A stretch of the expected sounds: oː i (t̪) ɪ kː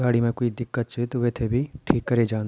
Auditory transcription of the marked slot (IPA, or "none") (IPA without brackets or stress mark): d̪